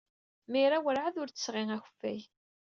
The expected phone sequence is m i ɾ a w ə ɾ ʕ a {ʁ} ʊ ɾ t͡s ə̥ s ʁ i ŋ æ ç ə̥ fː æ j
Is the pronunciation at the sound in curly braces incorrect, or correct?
incorrect